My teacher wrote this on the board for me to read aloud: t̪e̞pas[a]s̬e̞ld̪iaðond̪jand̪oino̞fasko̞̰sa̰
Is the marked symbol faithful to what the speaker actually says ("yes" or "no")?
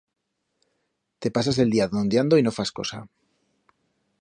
yes